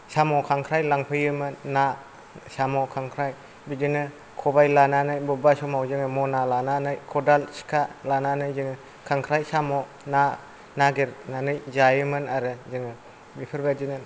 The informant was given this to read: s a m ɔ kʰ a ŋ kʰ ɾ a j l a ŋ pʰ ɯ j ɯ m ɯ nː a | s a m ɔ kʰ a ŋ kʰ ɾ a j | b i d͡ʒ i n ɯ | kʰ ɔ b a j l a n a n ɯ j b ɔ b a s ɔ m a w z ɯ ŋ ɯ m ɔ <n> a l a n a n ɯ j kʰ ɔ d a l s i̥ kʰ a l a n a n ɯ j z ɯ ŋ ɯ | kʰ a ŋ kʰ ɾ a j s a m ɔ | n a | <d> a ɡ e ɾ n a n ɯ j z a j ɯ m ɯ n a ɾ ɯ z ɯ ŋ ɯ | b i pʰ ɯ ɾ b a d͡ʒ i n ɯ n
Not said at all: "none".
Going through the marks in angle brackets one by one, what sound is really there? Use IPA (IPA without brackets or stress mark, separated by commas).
n, n